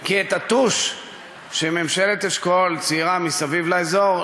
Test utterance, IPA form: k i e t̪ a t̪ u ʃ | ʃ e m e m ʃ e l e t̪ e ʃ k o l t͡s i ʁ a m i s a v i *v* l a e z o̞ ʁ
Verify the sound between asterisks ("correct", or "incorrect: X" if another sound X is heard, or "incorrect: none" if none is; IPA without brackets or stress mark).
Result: correct